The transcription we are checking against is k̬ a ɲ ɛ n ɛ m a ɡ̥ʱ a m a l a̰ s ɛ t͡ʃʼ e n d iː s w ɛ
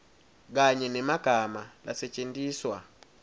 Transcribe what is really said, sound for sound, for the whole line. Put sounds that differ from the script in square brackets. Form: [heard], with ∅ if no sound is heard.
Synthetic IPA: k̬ a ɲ ɛ n ɛ m a ɡ̥ʱ a m a l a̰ s ɛ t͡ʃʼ e n d iː s w [a]